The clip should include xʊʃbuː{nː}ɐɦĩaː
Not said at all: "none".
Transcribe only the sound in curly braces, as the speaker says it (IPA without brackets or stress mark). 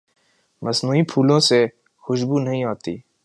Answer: n